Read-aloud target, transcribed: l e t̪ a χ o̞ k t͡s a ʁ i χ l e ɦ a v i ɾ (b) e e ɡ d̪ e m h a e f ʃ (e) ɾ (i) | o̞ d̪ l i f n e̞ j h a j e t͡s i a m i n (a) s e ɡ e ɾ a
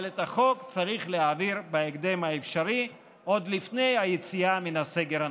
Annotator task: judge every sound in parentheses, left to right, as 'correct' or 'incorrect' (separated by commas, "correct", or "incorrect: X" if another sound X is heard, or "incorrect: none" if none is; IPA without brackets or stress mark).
correct, incorrect: a, correct, correct